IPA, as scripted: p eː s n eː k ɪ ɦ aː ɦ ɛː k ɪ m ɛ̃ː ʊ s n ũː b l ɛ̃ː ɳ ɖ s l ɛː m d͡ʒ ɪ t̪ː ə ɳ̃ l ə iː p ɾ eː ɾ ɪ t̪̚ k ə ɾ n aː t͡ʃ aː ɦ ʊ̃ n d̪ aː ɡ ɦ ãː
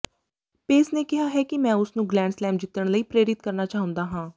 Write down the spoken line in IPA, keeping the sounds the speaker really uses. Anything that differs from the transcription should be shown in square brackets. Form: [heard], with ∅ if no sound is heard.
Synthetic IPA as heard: p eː s n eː k ɪ ɦ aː ɦ ɛː k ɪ m ɛ̃ː ʊ s n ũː [ɡ] l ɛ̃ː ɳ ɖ s l ɛː m d͡ʒ ɪ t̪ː ə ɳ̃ l ə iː p ɾ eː ɾ ɪ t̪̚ k ə ɾ n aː t͡ʃ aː ɦ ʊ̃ n d̪ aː [∅] ɦ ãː